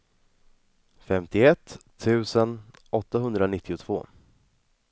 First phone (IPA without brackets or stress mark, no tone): f